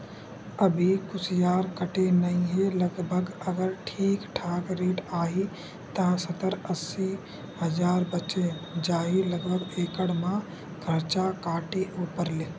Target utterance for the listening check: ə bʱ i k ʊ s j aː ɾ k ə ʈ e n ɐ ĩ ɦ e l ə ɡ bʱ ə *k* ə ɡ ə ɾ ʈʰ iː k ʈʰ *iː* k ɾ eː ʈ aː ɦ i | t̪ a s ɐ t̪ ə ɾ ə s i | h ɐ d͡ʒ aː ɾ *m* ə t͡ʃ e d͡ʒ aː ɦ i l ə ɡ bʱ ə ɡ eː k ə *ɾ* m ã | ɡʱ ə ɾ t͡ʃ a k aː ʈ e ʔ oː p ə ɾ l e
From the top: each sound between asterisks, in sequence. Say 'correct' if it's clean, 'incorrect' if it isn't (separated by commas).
incorrect, incorrect, incorrect, incorrect